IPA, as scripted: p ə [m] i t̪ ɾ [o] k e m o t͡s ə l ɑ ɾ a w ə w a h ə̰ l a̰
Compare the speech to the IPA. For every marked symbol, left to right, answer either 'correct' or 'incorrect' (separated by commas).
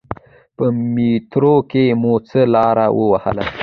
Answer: correct, correct